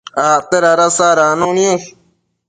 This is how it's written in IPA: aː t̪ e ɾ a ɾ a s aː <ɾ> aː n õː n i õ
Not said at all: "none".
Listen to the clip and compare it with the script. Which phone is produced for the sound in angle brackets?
ɾ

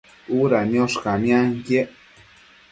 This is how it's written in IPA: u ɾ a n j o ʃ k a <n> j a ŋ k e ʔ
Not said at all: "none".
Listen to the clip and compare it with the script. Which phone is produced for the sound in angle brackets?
m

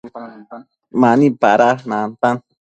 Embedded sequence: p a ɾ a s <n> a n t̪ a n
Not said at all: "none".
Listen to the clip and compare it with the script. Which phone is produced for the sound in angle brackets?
n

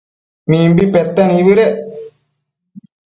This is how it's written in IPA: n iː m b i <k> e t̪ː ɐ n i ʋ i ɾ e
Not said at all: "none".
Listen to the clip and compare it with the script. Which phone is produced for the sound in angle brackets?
p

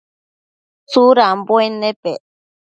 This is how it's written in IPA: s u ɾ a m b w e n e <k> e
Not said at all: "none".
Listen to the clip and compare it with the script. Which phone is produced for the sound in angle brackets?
p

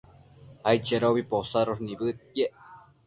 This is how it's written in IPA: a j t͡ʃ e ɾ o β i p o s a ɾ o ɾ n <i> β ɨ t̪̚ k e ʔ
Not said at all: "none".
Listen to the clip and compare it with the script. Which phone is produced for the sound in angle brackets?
i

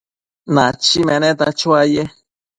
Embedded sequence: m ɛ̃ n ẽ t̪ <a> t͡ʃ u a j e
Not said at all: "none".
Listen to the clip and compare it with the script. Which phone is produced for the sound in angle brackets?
a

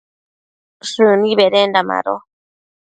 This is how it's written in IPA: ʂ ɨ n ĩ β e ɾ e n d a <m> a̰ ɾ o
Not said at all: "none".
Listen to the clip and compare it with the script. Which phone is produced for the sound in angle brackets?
m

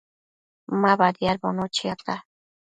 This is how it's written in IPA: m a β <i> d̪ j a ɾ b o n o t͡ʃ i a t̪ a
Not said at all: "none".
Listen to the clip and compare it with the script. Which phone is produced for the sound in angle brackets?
a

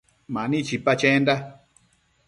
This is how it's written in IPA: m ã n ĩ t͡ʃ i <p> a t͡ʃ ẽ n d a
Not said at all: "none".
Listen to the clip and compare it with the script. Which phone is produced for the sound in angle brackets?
p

